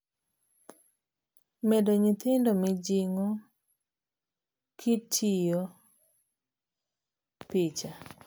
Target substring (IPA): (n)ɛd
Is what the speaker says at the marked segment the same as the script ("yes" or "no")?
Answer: no